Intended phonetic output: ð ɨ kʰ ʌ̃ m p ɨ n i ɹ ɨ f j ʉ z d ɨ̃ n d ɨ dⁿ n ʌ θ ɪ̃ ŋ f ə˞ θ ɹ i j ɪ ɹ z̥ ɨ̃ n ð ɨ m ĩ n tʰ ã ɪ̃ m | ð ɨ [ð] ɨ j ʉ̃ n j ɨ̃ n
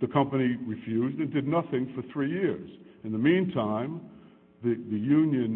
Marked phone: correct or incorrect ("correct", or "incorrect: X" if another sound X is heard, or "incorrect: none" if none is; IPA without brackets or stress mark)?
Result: correct